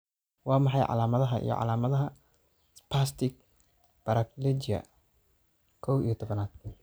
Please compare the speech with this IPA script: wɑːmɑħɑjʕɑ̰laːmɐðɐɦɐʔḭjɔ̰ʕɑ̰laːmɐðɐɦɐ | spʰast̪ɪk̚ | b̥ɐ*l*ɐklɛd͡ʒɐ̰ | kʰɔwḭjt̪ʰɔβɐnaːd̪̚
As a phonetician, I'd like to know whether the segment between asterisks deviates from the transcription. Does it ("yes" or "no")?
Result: yes